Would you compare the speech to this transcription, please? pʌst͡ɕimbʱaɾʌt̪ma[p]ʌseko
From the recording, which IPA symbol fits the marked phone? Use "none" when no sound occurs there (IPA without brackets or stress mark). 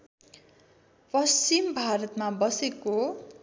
b